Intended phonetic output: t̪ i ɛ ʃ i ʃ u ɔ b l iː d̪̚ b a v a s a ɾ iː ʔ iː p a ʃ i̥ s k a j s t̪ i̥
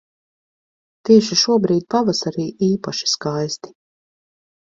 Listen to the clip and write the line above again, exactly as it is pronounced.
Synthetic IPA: t̪ i ɛ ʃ i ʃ u ɔ b ɾ iː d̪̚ p a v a s a ɾ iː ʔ iː p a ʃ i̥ s k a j s t̪ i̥

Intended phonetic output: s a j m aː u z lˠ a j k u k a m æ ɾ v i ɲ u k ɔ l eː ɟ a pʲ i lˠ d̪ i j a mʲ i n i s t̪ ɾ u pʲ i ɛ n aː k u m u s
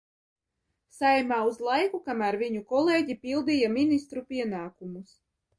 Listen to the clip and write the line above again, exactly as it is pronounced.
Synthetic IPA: s a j m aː u z lˠ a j k u k a m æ ɾ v i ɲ u k ɔ l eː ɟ i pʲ i lˠ d̪ i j a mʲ i n i s t̪ ɾ u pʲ i ɛ n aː k u m u s

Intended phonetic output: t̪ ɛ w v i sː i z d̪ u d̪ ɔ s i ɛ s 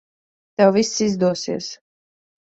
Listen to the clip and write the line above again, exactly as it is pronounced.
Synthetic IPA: t̪ ɛ w v i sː i z d̪ u ɔ s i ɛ s

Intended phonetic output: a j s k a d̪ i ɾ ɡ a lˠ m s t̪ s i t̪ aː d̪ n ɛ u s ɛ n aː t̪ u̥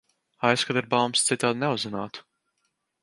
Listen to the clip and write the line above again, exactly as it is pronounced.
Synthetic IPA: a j s k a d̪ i ɾ b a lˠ m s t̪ s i t̪ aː d̪ n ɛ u z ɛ n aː t̪ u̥

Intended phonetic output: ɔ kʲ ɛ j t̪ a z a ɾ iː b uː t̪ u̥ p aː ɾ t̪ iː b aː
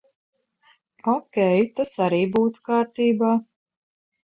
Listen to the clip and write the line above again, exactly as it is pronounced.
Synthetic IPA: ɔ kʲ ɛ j t̪ a s a ɾ iː b uː t̪ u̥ k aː ɾ t̪ iː b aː

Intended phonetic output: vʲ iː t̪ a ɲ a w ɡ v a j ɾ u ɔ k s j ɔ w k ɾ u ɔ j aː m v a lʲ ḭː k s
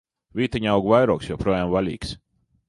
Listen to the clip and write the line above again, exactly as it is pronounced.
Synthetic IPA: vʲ iː t̪ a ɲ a w ɡ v a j ɾ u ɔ k s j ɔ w p ɾ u ɔ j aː m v a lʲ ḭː k s

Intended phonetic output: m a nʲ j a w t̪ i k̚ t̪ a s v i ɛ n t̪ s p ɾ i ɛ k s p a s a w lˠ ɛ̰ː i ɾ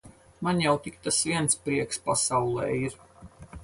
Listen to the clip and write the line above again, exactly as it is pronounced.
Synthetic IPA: m a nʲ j a w t̪ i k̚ t̪ a s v i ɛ n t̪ s p ɾ i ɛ k s p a s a w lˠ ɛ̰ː i ɾ

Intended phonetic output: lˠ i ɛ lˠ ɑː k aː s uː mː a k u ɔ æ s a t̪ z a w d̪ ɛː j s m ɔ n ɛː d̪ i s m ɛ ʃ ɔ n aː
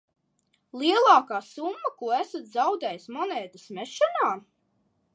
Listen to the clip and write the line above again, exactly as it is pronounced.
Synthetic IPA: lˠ i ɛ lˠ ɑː k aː s u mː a k u ɔ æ s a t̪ z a w d̪ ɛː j s m ɔ n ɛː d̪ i s m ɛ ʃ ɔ n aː

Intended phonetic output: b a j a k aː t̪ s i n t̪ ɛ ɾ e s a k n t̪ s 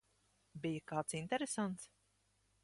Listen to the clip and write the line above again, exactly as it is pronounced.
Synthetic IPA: b i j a k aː t̪ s i n t̪ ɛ ɾ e s a n t̪ s

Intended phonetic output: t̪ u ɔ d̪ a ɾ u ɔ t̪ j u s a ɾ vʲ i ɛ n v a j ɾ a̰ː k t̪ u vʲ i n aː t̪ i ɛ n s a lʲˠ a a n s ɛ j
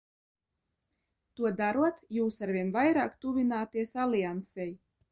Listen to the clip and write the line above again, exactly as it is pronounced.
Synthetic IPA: t̪ u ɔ d̪ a ɾ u ɔ t̪ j uː s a ɾ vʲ i ɛ n v a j ɾ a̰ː k t̪ u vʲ i n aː t̪ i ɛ s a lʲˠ i a n s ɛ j

